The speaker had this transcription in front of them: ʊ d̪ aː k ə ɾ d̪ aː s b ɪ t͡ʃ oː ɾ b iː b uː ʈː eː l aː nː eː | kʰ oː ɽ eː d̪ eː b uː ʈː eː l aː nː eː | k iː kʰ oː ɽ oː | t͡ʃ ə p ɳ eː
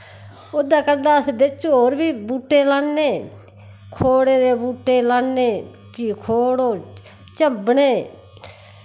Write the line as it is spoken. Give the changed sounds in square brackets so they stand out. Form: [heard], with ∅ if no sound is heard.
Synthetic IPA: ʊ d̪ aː k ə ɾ d̪ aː s b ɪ t͡ʃ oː ɾ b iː b uː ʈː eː l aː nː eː | kʰ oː ɽ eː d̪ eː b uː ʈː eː l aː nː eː | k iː kʰ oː ɽ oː | t͡ʃ ə [b] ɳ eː